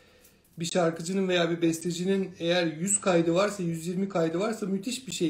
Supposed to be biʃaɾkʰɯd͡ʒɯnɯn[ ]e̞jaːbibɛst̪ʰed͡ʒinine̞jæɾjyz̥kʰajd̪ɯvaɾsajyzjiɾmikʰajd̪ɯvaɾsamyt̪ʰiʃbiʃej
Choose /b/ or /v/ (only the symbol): v